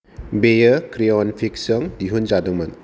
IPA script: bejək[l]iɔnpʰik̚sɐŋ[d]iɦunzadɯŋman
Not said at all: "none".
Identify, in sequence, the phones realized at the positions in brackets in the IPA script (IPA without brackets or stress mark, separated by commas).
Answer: ɾ, d